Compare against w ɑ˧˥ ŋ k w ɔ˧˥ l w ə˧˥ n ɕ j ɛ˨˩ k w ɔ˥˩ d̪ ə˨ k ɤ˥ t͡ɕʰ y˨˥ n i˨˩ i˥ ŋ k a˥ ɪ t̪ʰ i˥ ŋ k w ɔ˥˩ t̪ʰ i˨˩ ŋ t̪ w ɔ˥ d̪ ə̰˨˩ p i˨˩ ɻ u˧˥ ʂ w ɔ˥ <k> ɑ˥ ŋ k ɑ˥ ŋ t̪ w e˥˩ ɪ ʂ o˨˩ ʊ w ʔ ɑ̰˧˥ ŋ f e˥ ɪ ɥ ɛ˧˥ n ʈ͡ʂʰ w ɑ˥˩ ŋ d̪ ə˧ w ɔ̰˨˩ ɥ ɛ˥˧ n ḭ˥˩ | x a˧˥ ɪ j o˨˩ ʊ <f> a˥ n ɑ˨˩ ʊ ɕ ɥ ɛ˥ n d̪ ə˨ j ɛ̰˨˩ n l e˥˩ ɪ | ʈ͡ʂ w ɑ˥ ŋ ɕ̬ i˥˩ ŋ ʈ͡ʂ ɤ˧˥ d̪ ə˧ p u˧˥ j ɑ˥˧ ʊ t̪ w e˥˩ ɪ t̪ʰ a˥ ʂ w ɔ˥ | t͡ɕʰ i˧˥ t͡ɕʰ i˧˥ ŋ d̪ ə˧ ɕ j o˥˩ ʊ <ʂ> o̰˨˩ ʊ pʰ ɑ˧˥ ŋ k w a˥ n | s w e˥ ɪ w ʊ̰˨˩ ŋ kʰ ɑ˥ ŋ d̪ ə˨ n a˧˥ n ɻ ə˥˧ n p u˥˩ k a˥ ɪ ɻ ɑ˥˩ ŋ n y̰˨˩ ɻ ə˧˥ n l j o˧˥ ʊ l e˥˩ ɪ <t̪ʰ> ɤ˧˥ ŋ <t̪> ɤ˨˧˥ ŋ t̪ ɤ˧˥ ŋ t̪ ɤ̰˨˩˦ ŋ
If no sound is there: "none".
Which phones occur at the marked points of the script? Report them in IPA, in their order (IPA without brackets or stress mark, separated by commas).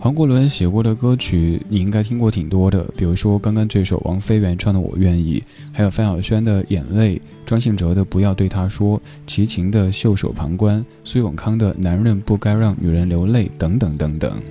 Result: k, f, ʂ, t̪, t̪